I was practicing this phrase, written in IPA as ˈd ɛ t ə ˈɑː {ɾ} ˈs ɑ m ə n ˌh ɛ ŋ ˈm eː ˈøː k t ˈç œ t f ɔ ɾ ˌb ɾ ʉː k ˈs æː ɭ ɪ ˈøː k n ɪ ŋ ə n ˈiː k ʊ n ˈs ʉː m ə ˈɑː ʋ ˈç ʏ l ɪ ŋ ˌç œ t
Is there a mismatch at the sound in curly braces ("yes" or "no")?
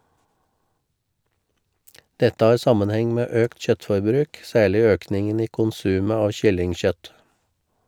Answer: no